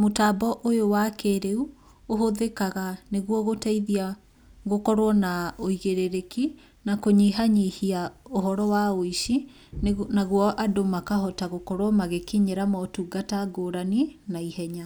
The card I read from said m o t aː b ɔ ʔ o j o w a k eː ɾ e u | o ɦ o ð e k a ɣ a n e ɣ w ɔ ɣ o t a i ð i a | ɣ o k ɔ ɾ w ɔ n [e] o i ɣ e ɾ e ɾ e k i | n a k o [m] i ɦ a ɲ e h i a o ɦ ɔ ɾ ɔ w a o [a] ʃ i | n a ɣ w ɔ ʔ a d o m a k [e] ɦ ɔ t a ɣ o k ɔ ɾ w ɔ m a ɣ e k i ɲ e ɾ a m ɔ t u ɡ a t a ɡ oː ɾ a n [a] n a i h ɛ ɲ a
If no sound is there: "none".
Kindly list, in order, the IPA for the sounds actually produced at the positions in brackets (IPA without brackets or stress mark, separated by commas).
a, ɲ, i, a, i